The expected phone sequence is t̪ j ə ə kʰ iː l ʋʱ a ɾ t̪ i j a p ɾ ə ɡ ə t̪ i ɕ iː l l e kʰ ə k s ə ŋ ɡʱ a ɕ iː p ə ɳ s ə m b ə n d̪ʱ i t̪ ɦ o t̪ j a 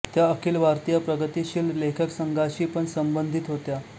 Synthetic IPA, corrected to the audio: t̪ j a ə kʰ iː l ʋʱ a ɾ t̪ i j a p ɾ ə ɡ ə t̪ i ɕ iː l l e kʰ ə k s ə ŋ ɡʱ a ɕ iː p ə ɳ s ə m b ə n d̪ʱ i t̪ ɦ o t̪ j a